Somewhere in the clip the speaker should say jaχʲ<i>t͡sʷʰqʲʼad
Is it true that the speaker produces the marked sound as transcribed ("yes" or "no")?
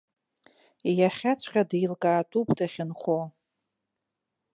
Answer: no